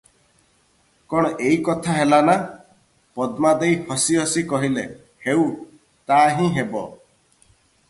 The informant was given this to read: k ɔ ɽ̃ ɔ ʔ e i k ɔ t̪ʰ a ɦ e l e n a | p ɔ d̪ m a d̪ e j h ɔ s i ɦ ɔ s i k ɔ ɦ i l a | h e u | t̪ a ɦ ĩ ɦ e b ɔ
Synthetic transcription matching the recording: k ɔ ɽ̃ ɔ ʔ e i k ɔ t̪ʰ a ɦ e l a n a | p ɔ d̪ m a d̪ e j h ɔ s i ɦ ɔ s i k ɔ ɦ i l e | h e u | t̪ a ɦ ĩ ɦ e b ɔ